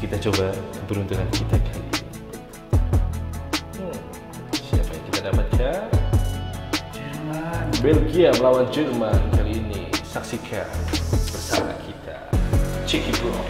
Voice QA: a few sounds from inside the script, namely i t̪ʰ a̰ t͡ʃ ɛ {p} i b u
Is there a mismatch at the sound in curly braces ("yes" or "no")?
yes